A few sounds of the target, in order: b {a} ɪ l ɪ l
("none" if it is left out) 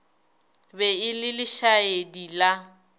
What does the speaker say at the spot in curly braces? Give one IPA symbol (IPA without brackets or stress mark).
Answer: ɛ